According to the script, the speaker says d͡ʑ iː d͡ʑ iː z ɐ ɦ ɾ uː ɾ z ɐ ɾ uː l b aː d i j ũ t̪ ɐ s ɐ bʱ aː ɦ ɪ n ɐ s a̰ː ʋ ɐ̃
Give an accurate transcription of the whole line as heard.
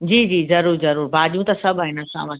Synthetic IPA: d͡ʑ iː d͡ʑ iː z ɐ ɾ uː ɾ z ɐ ɾ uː ɾ b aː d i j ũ t̪ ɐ s ɐ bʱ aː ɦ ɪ n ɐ s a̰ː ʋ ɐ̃